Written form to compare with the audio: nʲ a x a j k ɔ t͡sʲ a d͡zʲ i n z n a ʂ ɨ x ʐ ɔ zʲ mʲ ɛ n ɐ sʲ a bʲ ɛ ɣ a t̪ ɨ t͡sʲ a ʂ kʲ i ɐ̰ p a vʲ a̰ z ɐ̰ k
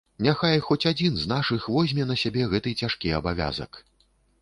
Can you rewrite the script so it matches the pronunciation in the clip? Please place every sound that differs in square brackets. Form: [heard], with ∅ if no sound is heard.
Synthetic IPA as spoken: nʲ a x a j [x] ɔ t͡sʲ a d͡zʲ i n z n a ʂ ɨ x [v] ɔ zʲ mʲ ɛ n ɐ sʲ a bʲ ɛ ɣ [ɛ] t̪ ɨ t͡sʲ a ʂ kʲ i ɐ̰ [b] a vʲ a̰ z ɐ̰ k